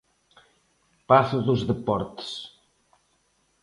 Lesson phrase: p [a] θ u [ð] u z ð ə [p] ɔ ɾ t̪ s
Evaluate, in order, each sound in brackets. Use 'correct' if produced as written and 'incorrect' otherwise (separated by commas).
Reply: correct, correct, correct